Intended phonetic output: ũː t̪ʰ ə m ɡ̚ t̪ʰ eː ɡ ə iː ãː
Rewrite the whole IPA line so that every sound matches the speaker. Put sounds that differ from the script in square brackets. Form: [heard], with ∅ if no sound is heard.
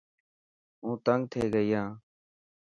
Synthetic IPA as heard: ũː [t̪] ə [ŋ] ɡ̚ t̪ʰ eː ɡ ə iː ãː